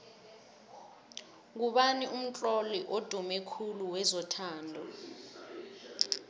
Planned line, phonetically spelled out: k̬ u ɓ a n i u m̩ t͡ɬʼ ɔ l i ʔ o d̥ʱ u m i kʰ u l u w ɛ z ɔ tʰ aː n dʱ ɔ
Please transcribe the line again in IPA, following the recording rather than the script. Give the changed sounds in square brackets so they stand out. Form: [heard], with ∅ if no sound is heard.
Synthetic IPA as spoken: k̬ u ɓ a n i u m̩ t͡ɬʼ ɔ l i ʔ o d̥ʱ u m [ɛ] kʰ u l u w ɛ z ɔ tʰ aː n dʱ ɔ